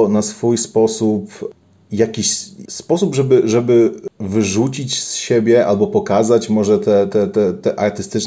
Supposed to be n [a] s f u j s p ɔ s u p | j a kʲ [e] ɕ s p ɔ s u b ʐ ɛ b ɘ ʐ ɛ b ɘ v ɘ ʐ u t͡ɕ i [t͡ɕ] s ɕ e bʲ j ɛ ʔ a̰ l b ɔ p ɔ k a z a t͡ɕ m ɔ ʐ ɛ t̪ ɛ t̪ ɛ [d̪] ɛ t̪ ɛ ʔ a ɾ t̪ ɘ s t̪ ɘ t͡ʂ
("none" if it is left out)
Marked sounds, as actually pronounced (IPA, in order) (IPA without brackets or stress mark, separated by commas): a, i, t͡ɕ, t̪